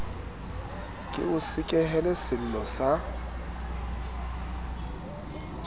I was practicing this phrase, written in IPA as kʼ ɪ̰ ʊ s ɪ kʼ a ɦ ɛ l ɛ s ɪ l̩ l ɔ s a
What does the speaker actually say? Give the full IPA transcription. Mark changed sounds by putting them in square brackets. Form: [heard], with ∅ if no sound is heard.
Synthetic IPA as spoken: kʼ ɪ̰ ʊ s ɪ kʼ [ɛ] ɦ ɛ l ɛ s ɪ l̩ l ɔ s a